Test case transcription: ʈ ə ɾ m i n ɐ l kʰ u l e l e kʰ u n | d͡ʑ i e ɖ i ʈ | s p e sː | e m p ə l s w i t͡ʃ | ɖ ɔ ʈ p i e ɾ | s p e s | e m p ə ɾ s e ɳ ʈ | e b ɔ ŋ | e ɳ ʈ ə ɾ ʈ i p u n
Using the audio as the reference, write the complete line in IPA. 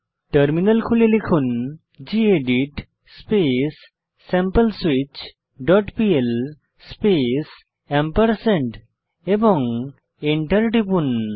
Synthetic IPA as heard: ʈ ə ɾ m i n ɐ l kʰ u l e l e kʰ u n | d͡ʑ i e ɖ i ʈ | s p e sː | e m p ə l s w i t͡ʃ | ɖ ɔ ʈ p i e l | s p e s | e m p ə ɾ s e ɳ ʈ | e b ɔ ŋ | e ɳ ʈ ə ɾ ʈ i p u n